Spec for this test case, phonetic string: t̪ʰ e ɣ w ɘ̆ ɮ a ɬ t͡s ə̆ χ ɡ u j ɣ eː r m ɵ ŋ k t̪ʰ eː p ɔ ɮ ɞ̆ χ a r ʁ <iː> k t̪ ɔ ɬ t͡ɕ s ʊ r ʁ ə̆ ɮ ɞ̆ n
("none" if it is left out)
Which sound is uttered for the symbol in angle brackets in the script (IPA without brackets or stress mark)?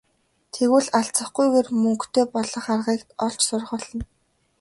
iː